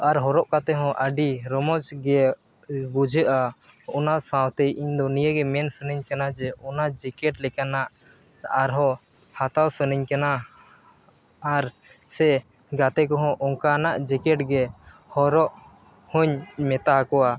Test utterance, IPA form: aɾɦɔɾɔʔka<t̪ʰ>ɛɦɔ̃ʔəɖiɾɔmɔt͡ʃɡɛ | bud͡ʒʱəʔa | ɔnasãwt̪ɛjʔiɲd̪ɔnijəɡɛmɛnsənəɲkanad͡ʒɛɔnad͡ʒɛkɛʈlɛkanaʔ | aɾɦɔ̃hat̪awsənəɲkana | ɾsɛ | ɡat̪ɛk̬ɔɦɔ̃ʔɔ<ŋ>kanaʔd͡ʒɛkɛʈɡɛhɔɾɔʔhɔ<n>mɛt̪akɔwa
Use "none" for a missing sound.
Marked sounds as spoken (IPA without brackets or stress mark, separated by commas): t̪, ŋ, ɲ